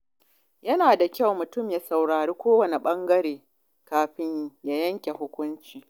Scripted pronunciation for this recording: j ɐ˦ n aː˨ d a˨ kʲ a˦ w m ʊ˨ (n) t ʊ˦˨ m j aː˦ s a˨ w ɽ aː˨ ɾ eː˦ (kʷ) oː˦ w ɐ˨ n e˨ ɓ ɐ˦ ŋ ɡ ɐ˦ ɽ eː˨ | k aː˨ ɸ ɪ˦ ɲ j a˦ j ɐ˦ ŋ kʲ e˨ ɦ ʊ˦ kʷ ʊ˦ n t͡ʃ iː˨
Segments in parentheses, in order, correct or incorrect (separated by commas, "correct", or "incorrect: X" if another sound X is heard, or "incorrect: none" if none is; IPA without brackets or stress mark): incorrect: none, correct